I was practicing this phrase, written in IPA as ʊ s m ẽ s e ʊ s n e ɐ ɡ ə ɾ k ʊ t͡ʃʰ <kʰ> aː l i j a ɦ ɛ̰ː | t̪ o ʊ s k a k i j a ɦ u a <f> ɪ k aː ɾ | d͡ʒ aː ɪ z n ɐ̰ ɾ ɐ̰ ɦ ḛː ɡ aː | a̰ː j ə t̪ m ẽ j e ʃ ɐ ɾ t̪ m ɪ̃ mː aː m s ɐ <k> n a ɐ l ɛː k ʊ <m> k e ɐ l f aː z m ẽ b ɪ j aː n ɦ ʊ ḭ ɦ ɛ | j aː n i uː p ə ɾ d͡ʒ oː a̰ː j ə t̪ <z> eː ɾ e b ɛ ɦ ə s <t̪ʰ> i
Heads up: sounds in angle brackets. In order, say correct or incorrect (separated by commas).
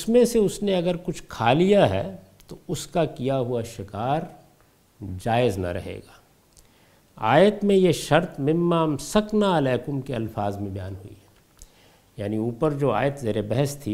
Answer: correct, incorrect, correct, correct, correct, correct